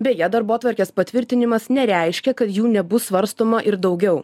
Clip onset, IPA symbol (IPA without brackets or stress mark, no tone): bʲ